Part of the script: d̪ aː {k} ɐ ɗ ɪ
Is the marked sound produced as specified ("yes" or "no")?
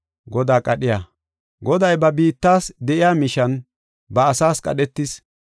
no